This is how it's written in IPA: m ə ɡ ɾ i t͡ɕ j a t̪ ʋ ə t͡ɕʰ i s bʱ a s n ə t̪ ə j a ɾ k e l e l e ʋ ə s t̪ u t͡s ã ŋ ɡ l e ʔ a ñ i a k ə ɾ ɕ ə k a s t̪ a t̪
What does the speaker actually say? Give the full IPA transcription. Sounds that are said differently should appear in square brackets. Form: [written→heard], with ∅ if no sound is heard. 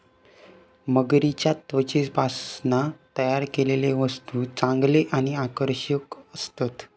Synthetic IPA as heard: m ə ɡ ɾ i t͡ɕ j a t̪ ʋ ə [t͡ɕʰ→t͡ɕ] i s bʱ a s n [ə→a] t̪ ə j a ɾ k e l e l e ʋ ə s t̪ u t͡s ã ŋ ɡ l e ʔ a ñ i a k ə ɾ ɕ ə k [a→ə] s t̪ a t̪

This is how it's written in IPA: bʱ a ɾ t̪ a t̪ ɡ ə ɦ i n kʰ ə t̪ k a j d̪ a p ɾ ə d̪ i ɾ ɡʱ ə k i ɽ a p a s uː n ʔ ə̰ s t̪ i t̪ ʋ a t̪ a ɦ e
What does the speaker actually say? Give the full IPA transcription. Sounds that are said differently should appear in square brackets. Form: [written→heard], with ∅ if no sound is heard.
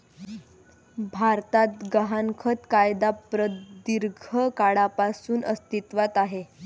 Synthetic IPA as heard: bʱ a ɾ t̪ a t̪ ɡ ə ɦ [i→a] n kʰ ə t̪ k a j d̪ a p ɾ ə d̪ i ɾ ɡʱ ə k [i→a] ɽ a p a s uː n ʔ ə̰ s t̪ i t̪ ʋ a t̪ a ɦ e

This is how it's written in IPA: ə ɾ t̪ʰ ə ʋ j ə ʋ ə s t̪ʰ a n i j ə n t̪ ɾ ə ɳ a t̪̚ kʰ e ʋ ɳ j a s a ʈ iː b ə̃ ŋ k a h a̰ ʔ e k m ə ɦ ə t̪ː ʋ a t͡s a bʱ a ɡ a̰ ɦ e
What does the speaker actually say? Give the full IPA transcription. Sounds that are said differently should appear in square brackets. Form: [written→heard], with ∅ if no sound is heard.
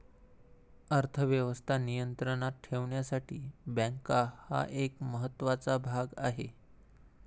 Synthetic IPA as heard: ə ɾ t̪ʰ ə ʋ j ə ʋ ə s t̪ʰ a n i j ə n t̪ ɾ ə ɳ a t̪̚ [kʰ→ʈʰ] e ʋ ɳ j a s a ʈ iː b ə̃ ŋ k a h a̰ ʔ e k m ə ɦ ə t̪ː ʋ a t͡s a bʱ a ɡ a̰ ɦ e

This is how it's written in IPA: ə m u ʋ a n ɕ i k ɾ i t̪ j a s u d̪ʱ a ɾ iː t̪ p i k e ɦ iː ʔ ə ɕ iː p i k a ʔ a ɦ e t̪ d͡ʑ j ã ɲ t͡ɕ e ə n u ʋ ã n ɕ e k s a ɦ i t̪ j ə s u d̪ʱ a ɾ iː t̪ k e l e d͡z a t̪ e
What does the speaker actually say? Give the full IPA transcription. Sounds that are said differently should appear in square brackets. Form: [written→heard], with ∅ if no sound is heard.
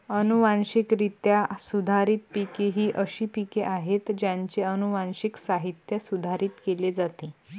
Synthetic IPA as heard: ə [m→n] u ʋ a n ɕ i k ɾ i t̪ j a s u d̪ʱ a ɾ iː t̪ p i k e ɦ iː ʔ ə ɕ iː p i k [a→e] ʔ a ɦ e t̪ d͡ʑ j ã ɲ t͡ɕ e ə n u ʋ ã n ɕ [e→i] k s a ɦ i t̪ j ə s u d̪ʱ a ɾ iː t̪ k e l e d͡z a t̪ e

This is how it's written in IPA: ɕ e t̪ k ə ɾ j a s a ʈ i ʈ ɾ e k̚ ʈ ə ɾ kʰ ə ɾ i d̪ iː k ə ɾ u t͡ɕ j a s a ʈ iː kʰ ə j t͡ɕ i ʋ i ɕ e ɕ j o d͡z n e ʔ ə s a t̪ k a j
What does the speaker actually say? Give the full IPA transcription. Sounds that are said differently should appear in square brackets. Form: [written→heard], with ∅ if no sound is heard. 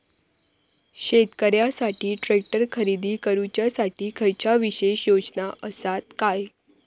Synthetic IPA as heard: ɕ e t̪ k ə ɾ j a s a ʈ [i→iː] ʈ ɾ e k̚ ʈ ə ɾ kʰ ə ɾ i d̪ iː k ə ɾ u t͡ɕ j a s a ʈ iː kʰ ə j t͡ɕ [i→a] ʋ i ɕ e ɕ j o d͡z n [e→a] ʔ ə s a t̪ k a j

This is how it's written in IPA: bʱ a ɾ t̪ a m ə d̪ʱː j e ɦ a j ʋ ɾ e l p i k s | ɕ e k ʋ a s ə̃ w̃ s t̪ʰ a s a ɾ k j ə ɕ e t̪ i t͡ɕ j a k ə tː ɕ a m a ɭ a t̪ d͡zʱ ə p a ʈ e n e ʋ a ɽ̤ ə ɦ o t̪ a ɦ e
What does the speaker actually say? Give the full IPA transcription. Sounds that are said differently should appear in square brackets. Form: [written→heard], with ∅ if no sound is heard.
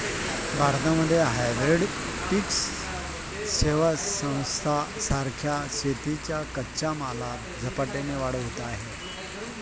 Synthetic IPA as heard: bʱ a ɾ t̪ a m ə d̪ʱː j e ɦ a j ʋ ɾ e [l→ɽ] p i k s | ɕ e [k→∅] ʋ a s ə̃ w̃ s t̪ʰ a s a ɾ [k→kʰ] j [ə→a] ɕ e t̪ i t͡ɕ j a k ə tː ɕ a m a [ɭ→l] a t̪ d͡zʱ ə p a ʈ e n e ʋ a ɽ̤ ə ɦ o t̪ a ɦ e

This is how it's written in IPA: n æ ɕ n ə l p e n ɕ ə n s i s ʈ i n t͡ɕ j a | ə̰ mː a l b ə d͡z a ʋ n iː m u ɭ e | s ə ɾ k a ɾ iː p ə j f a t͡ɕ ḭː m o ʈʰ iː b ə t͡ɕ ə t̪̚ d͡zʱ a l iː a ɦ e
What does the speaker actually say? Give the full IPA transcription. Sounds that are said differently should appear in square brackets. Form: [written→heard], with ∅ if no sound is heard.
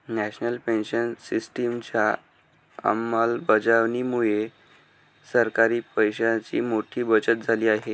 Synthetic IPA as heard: n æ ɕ n ə l p e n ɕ ə n s i s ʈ i [n→m] t͡ɕ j a | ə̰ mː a l b ə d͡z a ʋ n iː m u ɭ e | s ə ɾ k a ɾ iː p ə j [f→ɕ] a t͡ɕ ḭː m o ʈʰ iː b ə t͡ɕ ə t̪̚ d͡zʱ a l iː a ɦ e

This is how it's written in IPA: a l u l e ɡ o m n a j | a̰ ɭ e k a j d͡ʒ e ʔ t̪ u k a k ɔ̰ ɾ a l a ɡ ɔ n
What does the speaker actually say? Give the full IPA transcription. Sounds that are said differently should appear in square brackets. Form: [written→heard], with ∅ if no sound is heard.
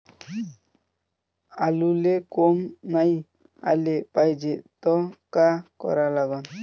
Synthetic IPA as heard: a l u l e [ɡ→k] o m n a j | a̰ [ɭ→l] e [k→p] a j d͡ʒ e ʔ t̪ [u→ɔ] k a k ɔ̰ ɾ a l a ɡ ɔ n

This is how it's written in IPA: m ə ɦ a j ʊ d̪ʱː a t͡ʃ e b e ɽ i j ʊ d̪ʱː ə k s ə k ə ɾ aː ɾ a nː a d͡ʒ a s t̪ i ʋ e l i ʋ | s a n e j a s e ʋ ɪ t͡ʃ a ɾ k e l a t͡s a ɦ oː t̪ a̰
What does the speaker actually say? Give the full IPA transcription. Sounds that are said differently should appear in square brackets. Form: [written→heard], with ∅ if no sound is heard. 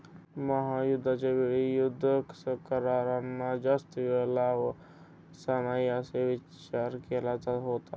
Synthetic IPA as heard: m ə ɦ a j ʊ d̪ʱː a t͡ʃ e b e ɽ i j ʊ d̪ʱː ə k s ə k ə ɾ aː ɾ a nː a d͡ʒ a s t̪ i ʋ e l [i→a] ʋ | s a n [e→a] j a s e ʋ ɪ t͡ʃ a ɾ k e l a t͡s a ɦ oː t̪ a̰

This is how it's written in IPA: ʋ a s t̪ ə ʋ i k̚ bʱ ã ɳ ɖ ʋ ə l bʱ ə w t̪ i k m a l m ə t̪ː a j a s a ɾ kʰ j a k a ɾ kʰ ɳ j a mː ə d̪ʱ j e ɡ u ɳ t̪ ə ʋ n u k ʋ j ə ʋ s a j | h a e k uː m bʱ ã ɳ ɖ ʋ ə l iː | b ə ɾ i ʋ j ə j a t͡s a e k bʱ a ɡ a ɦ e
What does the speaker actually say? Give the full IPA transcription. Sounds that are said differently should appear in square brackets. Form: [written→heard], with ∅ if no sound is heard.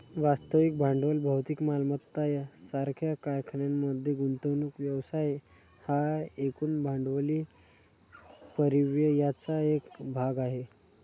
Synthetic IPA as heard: ʋ a s t̪ ə ʋ i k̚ bʱ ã ɳ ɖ ʋ ə l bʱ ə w t̪ i k m a l m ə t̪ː a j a s a ɾ kʰ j a k a ɾ kʰ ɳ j a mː ə d̪ʱ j e ɡ u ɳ t̪ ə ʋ n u k ʋ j ə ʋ s a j | h a e k uː [m→n] bʱ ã ɳ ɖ ʋ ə l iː | [b→p] ə ɾ i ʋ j ə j a t͡s a e k bʱ a ɡ a ɦ e

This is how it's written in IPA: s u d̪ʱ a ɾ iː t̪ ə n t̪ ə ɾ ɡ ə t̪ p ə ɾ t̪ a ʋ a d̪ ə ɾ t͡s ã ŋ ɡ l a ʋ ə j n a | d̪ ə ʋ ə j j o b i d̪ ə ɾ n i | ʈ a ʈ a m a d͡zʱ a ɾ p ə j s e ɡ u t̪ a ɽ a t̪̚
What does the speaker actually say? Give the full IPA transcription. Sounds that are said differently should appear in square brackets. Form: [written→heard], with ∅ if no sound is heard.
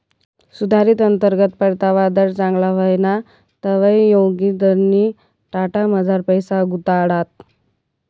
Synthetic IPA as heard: s u d̪ʱ a ɾ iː t̪ ə n t̪ ə ɾ ɡ ə t̪ p ə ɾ t̪ a ʋ a d̪ ə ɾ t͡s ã ŋ ɡ l a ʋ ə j n a | [d̪→t̪] ə ʋ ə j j o [b→ɡ] i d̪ ə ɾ n i | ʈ a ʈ a m [a→ə] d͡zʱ a ɾ p ə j s [e→a] ɡ u t̪ a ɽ a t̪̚

